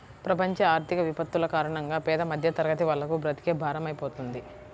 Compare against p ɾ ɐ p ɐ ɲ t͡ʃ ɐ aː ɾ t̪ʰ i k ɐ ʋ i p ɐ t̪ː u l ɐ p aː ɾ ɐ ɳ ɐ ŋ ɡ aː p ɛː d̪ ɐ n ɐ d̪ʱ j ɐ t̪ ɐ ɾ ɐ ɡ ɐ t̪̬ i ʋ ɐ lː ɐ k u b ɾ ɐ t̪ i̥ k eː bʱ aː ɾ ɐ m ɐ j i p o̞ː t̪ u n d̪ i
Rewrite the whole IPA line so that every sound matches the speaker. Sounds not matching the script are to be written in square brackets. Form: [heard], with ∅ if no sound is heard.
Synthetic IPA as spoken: p ɾ ɐ p ɐ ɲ t͡ʃ ɐ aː ɾ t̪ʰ i k ɐ ʋ i p ɐ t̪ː u l ɐ [k] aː ɾ ɐ ɳ ɐ ŋ ɡ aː p ɛː d̪ ɐ [m] ɐ d̪ʱ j ɐ t̪ ɐ ɾ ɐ ɡ ɐ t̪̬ i ʋ ɐ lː ɐ k u b ɾ ɐ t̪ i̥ k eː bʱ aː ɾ ɐ m ɐ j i p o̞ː t̪ u n d̪ i